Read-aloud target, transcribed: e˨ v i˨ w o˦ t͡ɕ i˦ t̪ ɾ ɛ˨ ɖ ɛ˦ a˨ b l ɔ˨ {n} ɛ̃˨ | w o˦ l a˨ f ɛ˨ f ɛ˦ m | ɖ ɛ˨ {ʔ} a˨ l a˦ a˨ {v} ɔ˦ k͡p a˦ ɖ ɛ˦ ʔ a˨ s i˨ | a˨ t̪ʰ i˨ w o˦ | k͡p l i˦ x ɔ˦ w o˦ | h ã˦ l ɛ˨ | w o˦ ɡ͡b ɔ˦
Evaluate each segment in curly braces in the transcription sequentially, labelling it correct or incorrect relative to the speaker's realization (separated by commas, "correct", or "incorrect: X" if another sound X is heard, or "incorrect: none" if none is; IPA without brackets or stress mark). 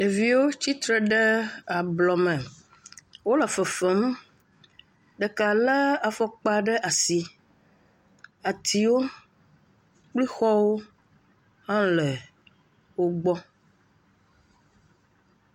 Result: incorrect: m, incorrect: k, incorrect: f